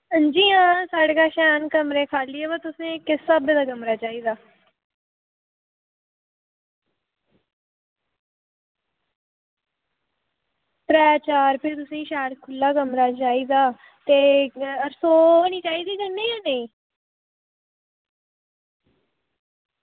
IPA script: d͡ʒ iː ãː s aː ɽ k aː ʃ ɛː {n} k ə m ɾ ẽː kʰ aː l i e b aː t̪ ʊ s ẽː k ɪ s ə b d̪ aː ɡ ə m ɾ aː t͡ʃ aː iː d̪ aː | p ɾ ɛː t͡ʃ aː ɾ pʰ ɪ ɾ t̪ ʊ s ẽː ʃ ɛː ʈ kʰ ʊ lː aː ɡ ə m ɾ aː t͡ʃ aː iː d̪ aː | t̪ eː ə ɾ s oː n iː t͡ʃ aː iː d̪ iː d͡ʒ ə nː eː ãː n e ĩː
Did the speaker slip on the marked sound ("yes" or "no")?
no